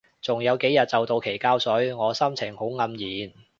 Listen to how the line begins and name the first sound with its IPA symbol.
t͡s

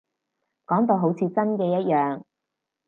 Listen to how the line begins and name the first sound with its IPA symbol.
k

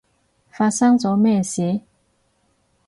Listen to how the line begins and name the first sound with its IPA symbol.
f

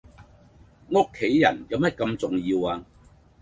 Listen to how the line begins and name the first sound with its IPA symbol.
ŋ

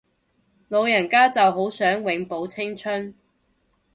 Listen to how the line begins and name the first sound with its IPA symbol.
l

